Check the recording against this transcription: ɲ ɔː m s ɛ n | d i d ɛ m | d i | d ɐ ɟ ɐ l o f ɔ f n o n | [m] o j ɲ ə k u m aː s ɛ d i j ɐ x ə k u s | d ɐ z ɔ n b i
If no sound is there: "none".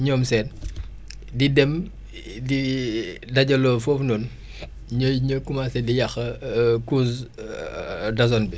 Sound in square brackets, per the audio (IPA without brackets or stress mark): ɲ